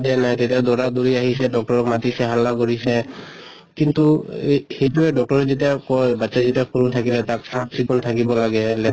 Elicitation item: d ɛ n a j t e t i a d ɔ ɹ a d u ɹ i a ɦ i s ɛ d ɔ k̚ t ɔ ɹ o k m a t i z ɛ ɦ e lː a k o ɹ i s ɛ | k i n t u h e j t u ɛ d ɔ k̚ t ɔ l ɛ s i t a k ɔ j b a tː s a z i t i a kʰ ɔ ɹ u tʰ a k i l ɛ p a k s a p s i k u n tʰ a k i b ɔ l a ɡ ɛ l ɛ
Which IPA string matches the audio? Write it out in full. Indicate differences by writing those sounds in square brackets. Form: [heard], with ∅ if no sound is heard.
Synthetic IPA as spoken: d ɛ n a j t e t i a d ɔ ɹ a d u ɹ i a ɦ i s ɛ d ɔ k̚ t ɔ ɹ [ɔ] k m a t i [s] ɛ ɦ [a] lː a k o ɹ i s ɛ | k i n t u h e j t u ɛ d ɔ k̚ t ɔ [ɹ] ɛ [z] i t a k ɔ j b a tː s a z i t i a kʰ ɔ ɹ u tʰ a k i l ɛ [t] a k s a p s i k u n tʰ a k i b ɔ l a ɡ ɛ l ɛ